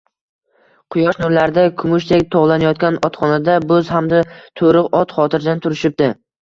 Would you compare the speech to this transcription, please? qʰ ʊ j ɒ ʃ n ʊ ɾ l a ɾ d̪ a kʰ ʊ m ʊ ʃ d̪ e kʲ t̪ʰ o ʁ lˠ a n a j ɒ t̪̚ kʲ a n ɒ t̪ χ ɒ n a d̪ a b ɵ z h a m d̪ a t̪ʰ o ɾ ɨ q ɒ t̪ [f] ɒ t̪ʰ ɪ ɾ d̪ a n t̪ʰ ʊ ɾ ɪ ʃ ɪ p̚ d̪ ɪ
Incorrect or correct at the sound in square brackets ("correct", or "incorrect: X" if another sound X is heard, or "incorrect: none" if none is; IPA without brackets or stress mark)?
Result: incorrect: χ